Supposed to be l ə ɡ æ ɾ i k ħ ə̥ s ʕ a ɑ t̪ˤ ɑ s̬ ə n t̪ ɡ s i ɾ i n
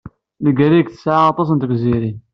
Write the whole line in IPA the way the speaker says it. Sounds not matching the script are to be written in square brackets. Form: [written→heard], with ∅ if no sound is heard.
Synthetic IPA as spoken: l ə ɡ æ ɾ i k [ħ→θ] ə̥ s ʕ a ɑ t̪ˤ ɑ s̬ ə n t̪ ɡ [s→z] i ɾ i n